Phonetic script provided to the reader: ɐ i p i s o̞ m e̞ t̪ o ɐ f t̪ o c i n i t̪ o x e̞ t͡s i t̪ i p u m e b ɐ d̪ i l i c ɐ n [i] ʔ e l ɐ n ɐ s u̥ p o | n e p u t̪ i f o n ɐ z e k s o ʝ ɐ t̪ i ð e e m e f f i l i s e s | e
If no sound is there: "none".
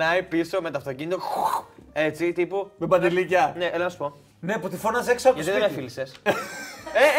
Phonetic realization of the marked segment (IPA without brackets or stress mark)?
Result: e